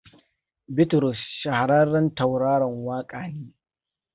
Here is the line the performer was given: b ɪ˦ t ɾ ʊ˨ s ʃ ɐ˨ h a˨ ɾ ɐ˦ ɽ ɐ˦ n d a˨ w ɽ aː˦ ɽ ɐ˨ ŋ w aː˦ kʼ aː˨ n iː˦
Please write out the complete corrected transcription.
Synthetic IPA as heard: b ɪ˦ t ɾ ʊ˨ s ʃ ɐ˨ h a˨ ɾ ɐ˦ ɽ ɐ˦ n t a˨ w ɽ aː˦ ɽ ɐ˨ ŋ w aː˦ kʼ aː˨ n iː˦